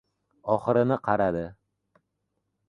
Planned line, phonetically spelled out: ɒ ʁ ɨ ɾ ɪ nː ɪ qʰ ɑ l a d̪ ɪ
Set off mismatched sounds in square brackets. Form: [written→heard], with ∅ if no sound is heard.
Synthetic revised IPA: ɒ [ʁ→χ] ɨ ɾ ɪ [nː→n] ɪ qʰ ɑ [l→ɾ] a d̪ ɪ